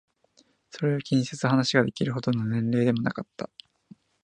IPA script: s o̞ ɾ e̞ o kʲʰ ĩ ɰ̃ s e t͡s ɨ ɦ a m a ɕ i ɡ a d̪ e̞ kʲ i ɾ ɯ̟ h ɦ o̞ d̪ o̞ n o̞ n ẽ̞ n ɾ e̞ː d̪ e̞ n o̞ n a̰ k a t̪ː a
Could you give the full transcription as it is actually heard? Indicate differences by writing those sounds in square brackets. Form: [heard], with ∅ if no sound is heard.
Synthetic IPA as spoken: s o̞ ɾ e̞ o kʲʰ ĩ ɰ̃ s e t͡s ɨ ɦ a [n] a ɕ i ɡ a d̪ e̞ kʲ i ɾ ɯ̟ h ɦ o̞ d̪ o̞ n o̞ n ẽ̞ n ɾ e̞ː d̪ e̞ [m] o̞ n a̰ k a t̪ː a